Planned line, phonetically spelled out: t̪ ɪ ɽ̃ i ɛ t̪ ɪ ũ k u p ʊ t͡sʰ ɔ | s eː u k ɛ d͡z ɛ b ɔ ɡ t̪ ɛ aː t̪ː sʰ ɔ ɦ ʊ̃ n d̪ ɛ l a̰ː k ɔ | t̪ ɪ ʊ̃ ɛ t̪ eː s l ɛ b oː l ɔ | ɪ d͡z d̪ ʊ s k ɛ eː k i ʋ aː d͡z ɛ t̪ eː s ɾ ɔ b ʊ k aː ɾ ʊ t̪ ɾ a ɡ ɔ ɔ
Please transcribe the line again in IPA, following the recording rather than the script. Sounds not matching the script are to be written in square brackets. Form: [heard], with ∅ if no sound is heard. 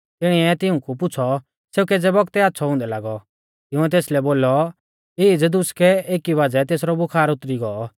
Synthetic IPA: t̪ ɪ ɽ̃ i ɛ t̪ ɪ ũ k u p ʊ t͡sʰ ɔ | s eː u k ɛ d͡z ɛ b ɔ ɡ t̪ ɛ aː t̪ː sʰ ɔ ɦ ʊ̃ n d̪ ɛ l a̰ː [ɡ] ɔ | t̪ ɪ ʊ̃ ɛ t̪ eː s l ɛ b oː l ɔ | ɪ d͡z d̪ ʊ s k ɛ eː k i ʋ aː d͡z ɛ t̪ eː s ɾ ɔ b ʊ [kʰ] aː ɾ ʊ t̪ ɾ [i] ɡ ɔ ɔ

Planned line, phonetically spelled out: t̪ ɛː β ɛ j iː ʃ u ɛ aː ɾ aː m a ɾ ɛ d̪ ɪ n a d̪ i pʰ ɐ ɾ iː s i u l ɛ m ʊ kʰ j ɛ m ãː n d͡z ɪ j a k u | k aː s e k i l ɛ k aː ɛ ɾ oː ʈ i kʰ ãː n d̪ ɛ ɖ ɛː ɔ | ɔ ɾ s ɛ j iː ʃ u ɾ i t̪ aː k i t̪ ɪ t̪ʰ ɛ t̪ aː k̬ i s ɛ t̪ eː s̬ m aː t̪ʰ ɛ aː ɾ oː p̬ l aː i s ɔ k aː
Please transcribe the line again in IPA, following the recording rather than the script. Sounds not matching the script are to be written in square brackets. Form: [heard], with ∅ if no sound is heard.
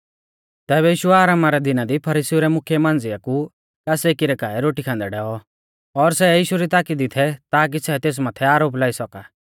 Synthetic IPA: t̪ ɛː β ɛ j iː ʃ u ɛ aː ɾ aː m a ɾ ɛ d̪ ɪ n a d̪ i pʰ ɐ ɾ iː s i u [ɾ] ɛ m ʊ kʰ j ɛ m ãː n d͡z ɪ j a k u | k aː s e k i [ɾ] ɛ k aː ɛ ɾ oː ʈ i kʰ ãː n d̪ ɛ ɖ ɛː ɔ | ɔ ɾ s ɛ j iː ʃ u ɾ i t̪ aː k i [d̪] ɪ t̪ʰ ɛ t̪ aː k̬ i s ɛ t̪ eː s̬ m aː t̪ʰ ɛ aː ɾ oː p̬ l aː i s ɔ k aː

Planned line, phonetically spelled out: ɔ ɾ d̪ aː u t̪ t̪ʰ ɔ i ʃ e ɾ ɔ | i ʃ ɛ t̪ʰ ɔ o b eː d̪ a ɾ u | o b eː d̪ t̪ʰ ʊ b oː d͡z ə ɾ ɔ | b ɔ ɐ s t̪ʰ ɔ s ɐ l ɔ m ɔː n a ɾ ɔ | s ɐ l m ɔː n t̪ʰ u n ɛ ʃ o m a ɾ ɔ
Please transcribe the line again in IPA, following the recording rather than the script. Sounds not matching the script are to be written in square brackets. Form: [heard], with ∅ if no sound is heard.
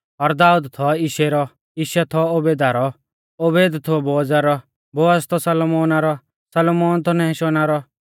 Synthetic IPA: ɔ ɾ d̪ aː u [d̪] t̪ʰ ɔ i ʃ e ɾ ɔ | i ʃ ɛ t̪ʰ ɔ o b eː d̪ a ɾ [ɔ] | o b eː d̪ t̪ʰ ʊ b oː d͡z [a] ɾ ɔ | b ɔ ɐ s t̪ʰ ɔ s ɐ l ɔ m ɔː n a ɾ ɔ | s ɐ l m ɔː n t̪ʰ [ɔ] n ɛ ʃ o [n] a ɾ ɔ

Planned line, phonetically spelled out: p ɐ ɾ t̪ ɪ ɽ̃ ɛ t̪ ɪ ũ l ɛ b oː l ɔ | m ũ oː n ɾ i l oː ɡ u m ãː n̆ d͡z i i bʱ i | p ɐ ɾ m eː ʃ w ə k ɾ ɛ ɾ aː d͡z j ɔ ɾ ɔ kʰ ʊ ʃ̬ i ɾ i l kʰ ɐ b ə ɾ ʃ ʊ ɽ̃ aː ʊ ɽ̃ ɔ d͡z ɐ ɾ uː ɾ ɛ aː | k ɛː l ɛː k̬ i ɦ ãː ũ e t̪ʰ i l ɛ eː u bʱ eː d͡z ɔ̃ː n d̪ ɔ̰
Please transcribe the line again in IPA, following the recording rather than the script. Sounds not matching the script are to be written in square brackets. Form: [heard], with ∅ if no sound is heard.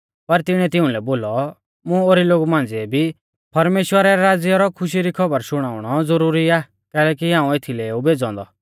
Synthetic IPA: p ɐ ɾ t̪ ɪ ɽ̃ ɛ t̪ ɪ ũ l ɛ b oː l ɔ | m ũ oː [∅] ɾ i l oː ɡ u m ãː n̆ d͡z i [ɛ] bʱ i | p ɐ ɾ m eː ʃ w ə [∅] ɾ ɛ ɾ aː d͡z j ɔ ɾ ɔ kʰ ʊ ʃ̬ i ɾ i [∅] kʰ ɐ b ə ɾ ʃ ʊ ɽ̃ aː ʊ ɽ̃ ɔ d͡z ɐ ɾ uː ɾ [i] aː | k ɛː l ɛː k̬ i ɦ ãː ũ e t̪ʰ i l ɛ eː u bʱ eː d͡z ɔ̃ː n d̪ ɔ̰

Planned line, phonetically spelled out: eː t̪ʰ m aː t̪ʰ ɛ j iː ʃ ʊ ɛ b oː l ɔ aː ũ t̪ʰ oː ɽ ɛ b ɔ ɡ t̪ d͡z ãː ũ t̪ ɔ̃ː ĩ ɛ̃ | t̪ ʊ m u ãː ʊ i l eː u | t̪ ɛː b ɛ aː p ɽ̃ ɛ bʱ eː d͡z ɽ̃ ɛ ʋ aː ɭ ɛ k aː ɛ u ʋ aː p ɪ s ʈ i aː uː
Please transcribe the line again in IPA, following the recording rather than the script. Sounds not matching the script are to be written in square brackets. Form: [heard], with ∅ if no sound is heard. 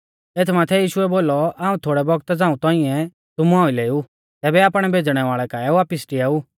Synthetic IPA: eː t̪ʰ m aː t̪ʰ ɛ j iː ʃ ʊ ɛ b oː l ɔ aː ũ t̪ʰ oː ɽ ɛ b ɔ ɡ t̪ d͡z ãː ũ t̪ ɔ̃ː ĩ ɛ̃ | t̪ ʊ m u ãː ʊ i l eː u | t̪ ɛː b ɛ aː p ɽ̃ ɛ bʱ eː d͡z ɽ̃ ɛ ʋ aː ɭ ɛ k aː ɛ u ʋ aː p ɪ s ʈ i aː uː

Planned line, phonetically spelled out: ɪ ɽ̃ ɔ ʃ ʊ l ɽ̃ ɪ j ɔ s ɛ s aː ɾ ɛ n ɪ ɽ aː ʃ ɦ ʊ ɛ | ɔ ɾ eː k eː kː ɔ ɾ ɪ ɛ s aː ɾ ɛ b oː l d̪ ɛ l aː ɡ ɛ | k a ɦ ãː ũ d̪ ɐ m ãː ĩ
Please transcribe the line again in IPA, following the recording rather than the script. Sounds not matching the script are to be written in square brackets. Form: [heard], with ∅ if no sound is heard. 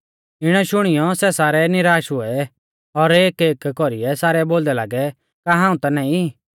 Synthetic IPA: ɪ ɽ̃ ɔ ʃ ʊ [∅] ɽ̃ ɪ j ɔ s ɛ s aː ɾ ɛ n ɪ [ɾ] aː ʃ ɦ ʊ ɛ | ɔ ɾ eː k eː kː ɔ ɾ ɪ ɛ s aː ɾ ɛ b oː l d̪ ɛ l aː ɡ ɛ | k a ɦ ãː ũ [t̪] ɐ [n] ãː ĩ

